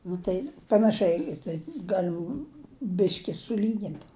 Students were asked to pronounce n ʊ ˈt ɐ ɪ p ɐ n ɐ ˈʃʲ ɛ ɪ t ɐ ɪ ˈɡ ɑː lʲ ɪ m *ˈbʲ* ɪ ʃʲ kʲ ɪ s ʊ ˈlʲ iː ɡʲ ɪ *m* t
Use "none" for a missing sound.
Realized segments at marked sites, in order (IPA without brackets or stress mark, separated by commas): bʲ, n